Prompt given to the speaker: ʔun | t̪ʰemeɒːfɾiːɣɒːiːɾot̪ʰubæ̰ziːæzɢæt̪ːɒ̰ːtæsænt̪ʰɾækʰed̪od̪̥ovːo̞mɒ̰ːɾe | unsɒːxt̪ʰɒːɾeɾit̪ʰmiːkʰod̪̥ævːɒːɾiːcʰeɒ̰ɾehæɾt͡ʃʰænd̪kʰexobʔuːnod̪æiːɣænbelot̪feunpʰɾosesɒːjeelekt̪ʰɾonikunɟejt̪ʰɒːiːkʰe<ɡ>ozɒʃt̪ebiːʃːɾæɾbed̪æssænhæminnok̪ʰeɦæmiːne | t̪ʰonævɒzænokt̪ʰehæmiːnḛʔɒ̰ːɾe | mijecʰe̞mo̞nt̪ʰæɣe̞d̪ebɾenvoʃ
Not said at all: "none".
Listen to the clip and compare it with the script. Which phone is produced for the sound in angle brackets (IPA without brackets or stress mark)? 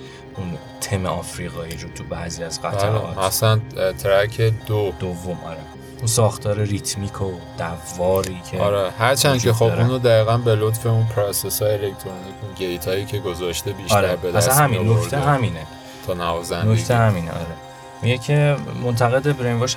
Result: ɡ